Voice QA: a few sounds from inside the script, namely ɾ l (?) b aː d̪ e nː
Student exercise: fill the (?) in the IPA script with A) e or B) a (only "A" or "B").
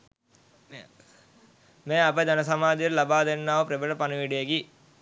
B